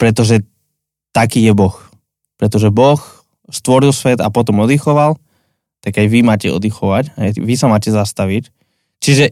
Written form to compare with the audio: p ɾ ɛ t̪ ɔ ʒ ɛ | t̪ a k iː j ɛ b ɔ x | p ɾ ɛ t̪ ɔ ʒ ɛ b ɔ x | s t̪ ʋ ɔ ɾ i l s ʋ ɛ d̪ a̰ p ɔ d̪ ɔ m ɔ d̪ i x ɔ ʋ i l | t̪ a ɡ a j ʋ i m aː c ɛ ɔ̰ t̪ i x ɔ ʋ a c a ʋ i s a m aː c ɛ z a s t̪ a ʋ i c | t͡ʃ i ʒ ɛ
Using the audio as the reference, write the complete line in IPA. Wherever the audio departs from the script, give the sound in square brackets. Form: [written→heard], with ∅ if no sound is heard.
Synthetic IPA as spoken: p ɾ ɛ t̪ ɔ ʒ ɛ | t̪ a k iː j ɛ b ɔ x | p ɾ ɛ t̪ ɔ ʒ ɛ b ɔ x | s t̪ ʋ ɔ ɾ i l s ʋ ɛ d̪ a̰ p ɔ [d̪→t̪] ɔ m ɔ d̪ i x ɔ ʋ [i→a] l | t̪ a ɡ a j ʋ i m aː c ɛ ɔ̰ [t̪→d̪] i x ɔ ʋ a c a ʋ i s a m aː c ɛ z a s t̪ a ʋ i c | t͡ʃ i ʒ ɛ